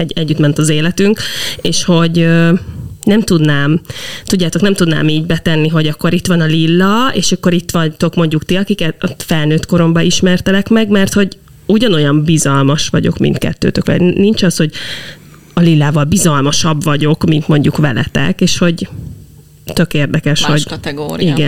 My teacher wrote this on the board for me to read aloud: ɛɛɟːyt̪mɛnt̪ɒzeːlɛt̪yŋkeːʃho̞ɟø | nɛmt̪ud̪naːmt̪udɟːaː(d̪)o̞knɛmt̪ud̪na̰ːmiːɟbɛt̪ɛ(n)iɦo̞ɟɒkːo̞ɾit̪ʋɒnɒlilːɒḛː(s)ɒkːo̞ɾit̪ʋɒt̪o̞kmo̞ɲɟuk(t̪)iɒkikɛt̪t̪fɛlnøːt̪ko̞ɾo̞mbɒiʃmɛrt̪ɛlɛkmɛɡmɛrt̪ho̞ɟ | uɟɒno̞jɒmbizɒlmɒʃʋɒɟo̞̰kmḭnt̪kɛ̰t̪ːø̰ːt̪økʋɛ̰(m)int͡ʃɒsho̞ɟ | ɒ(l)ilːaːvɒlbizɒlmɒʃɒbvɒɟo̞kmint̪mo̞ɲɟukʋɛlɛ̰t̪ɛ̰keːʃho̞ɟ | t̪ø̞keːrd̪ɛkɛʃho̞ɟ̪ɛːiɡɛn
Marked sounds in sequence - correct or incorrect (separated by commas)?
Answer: incorrect, incorrect, incorrect, correct, incorrect, correct